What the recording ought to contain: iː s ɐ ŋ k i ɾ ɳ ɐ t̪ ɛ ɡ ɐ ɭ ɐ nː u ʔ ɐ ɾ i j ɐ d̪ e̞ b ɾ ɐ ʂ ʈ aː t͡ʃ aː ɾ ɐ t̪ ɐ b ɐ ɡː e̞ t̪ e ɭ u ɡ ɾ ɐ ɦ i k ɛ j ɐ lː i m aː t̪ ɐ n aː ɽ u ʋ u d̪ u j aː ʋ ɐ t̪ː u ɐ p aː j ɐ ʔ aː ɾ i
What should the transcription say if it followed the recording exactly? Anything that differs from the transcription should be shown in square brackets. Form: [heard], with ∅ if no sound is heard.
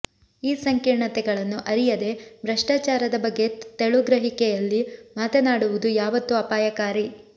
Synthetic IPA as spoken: iː s ɐ ŋ k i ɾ ɳ ɐ t̪ ɛ ɡ ɐ ɭ ɐ nː u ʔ ɐ ɾ i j ɐ d̪ e̞ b ɾ ɐ ʂ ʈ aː t͡ʃ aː ɾ ɐ [d̪] ɐ b ɐ ɡː e̞ t̪ e ɭ u ɡ ɾ ɐ ɦ i k ɛ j ɐ lː i m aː t̪ ɐ n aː ɽ u ʋ u d̪ u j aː ʋ ɐ t̪ː u ɐ p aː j ɐ [k] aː ɾ i